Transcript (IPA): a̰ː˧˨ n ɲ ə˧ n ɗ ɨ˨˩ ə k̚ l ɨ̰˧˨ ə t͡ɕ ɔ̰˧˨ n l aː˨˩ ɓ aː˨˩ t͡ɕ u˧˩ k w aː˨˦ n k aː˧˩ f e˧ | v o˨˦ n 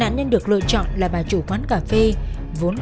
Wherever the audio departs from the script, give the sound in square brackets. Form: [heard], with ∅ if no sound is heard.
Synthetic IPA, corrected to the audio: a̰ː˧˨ n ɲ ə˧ n ɗ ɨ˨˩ ə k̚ l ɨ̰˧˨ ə t͡ɕ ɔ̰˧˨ n l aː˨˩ ɓ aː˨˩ t͡ɕ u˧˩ k w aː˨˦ n k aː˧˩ f e˧ | v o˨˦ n

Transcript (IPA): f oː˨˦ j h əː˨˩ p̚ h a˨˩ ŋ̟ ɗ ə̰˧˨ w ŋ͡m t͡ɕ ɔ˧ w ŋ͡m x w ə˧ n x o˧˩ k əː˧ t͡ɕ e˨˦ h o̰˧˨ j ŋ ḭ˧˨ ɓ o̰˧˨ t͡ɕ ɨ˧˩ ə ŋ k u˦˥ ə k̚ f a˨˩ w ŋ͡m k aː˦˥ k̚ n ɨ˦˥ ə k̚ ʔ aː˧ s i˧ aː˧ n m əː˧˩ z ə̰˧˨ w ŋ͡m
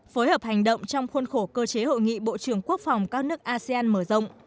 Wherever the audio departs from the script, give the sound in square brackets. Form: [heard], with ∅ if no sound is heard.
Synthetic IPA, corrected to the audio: f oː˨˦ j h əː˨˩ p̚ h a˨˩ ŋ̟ ɗ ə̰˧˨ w ŋ͡m t͡ɕ ɔ˧ w ŋ͡m x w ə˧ n x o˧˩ k əː˧ t͡ɕ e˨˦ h o̰˧˨ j ŋ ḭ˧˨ ɓ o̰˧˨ t͡ɕ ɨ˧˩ ə ŋ k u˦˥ ə k̚ f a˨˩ w ŋ͡m k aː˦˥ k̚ n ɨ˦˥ ə k̚ ʔ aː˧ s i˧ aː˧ n m əː˧˩ z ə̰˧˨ w ŋ͡m

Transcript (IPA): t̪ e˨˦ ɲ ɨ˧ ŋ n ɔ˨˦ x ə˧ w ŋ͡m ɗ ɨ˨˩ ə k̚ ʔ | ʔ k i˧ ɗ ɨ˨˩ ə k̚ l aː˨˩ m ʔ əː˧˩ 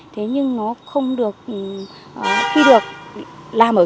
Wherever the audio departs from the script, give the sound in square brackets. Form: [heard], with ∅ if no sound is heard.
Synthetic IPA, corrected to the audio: [t̪ʰ] e˨˦ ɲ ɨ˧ ŋ n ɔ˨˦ x ə˧ w ŋ͡m ɗ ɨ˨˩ ə k̚ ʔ | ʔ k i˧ ɗ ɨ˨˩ ə k̚ l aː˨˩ m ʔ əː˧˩

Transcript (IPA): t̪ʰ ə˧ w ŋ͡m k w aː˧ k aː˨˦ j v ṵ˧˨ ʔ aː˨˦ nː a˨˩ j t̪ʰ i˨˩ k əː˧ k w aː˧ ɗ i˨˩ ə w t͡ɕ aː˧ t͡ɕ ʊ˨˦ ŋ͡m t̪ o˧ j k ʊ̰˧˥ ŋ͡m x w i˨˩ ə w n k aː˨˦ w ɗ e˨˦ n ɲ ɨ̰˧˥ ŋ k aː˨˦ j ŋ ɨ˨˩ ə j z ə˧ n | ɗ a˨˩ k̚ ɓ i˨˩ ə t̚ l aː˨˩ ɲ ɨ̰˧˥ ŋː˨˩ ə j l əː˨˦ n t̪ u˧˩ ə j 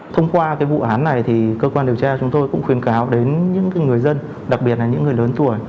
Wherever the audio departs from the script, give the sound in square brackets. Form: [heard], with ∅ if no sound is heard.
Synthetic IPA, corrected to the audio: t̪ʰ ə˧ w ŋ͡m k w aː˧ k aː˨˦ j v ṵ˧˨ ʔ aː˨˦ nː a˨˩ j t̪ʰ i˨˩ k əː˧ k w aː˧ ɗ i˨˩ ə w t͡ɕ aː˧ t͡ɕ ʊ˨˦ ŋ͡m t̪ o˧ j k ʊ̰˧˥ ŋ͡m x w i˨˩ ə [∅] n k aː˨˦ w ɗ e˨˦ n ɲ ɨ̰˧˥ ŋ k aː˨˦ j ŋ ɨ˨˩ ə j z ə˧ n | ɗ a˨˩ k̚ ɓ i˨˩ ə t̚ l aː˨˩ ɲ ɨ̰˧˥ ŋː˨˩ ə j l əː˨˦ n t̪ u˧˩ ə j

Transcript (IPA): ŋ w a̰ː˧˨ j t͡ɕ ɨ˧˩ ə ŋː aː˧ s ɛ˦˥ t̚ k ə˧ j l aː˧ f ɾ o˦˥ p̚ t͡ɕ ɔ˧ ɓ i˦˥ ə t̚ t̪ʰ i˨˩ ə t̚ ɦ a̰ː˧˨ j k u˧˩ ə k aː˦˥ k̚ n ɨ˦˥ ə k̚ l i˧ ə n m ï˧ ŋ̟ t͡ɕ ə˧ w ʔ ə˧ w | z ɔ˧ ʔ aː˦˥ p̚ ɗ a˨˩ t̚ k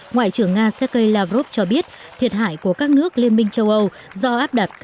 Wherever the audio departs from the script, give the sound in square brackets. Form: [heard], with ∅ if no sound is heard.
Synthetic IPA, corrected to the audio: ŋ w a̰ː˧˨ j t͡ɕ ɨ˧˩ ə ŋː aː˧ s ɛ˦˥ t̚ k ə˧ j l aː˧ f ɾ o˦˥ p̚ t͡ɕ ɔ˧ ɓ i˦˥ ə t̚ t̪ʰ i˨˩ ə t̚ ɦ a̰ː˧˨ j k u˧˩ ə k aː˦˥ k̚ n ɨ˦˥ ə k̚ l i˧ ə n m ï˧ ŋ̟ t͡ɕ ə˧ w ʔ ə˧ w | z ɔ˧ ʔ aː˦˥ p̚ ɗ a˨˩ t̚ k

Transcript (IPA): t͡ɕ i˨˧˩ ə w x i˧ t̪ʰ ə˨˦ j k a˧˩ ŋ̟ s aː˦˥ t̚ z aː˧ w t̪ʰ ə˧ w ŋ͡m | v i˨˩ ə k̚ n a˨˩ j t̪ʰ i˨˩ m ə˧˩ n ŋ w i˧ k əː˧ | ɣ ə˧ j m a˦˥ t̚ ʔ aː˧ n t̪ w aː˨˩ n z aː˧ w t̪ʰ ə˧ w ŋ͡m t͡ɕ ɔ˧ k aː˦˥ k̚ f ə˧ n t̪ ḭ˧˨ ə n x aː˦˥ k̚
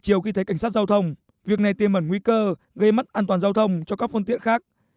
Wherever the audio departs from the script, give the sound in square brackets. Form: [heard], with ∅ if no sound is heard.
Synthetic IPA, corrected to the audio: t͡ɕ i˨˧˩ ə w x i˧ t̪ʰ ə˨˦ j k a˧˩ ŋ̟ s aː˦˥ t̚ z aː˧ w t̪ʰ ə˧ w ŋ͡m | v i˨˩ ə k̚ n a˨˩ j [t̪] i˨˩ m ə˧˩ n ŋ w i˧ k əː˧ | ɣ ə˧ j m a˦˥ t̚ ʔ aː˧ n t̪ w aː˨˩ n z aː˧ w t̪ʰ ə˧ w ŋ͡m t͡ɕ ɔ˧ k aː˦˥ k̚ f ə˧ n t̪ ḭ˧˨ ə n x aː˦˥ k̚

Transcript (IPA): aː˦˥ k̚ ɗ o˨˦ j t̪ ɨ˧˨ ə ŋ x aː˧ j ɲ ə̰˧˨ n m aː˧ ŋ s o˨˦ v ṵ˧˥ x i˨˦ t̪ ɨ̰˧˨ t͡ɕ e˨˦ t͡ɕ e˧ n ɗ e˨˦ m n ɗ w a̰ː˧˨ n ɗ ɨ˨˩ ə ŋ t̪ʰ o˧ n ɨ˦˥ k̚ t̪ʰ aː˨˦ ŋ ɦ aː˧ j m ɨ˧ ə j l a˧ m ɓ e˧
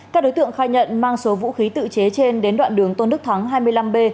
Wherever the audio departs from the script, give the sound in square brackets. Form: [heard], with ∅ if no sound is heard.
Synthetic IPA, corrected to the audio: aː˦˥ k̚ ɗ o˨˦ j t̪ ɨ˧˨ ə ŋ x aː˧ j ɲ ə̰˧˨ n m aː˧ ŋ s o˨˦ v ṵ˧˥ x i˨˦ t̪ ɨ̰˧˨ t͡ɕ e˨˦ t͡ɕ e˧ n ɗ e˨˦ [∅] n ɗ w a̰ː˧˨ n ɗ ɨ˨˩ ə ŋ [t̪] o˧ n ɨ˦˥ k̚ t̪ʰ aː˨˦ ŋ ɦ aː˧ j m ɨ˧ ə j l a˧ m ɓ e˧

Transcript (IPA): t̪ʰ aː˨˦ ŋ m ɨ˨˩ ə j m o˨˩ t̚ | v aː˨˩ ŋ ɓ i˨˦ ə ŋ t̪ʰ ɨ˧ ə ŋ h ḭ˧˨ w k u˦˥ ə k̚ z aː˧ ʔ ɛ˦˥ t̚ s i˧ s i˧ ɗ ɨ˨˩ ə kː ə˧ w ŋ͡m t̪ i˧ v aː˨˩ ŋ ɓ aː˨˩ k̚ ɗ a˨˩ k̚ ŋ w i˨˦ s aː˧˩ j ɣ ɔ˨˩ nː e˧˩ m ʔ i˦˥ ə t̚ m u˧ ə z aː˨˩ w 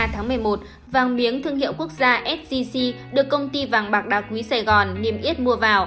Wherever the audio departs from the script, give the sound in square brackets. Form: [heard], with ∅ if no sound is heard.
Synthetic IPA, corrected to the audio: t̪ʰ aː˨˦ ŋ m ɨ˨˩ ə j m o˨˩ t̚ | v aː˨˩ ŋ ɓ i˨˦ ə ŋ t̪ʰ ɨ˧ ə ŋ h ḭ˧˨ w k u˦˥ ə k̚ z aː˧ ʔ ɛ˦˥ t̚ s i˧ s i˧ ɗ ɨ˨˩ ə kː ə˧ w ŋ͡m t̪ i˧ v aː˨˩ ŋ ɓ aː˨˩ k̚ ɗ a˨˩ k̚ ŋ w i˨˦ s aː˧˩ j ɣ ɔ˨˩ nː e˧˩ m ʔ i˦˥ ə t̚ m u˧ ə [v] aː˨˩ w

